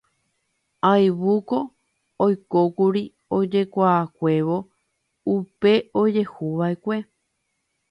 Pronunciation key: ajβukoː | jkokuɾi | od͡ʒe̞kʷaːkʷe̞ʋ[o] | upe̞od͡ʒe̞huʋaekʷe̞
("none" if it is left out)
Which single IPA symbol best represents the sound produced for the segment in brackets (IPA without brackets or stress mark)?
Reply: o